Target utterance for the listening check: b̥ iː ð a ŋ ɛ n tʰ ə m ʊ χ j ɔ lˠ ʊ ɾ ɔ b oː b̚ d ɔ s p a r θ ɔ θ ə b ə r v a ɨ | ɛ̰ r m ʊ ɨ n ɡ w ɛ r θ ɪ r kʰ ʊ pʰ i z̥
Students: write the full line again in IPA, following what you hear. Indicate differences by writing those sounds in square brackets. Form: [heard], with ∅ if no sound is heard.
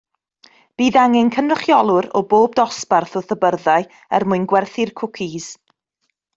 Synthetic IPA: b̥ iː ð a ŋ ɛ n [kʰ] ə [n] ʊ χ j ɔ lˠ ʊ ɾ ɔ b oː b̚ d ɔ s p a r θ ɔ θ ə b ə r [ð] a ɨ | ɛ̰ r m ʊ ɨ n ɡ w ɛ r θ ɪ r kʰ ʊ [kʰ] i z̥